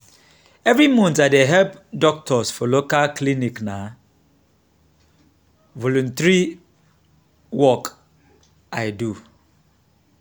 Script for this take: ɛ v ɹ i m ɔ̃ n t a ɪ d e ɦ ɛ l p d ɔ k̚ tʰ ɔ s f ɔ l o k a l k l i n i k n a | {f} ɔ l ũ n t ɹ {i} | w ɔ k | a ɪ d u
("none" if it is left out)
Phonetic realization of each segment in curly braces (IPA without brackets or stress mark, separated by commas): v, i